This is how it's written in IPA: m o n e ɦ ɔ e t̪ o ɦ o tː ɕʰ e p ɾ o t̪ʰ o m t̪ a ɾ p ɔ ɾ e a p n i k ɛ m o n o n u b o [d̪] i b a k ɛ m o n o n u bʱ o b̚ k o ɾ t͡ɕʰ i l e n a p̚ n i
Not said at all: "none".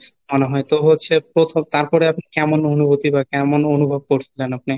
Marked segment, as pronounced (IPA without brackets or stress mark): t̪